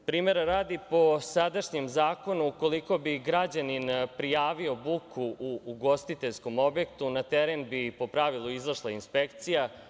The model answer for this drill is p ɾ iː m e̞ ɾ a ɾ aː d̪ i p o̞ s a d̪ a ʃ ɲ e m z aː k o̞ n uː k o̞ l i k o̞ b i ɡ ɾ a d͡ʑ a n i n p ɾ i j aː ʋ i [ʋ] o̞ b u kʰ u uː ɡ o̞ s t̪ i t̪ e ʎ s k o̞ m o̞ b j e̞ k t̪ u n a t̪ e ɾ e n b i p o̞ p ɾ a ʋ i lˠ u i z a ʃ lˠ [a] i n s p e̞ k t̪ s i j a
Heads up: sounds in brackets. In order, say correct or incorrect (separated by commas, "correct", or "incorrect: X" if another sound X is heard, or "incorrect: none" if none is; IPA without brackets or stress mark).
incorrect: none, correct